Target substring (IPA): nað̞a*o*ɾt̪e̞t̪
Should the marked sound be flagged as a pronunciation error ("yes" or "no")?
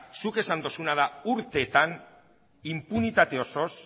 yes